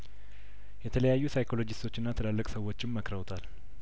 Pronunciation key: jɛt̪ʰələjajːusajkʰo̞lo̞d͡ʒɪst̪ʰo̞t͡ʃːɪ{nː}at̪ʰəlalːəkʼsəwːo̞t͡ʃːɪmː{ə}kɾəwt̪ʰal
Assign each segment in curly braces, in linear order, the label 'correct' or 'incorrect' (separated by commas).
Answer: correct, correct